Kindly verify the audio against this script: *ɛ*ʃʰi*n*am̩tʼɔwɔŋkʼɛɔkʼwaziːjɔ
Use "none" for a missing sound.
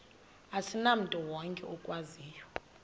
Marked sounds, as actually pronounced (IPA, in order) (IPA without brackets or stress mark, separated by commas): a, n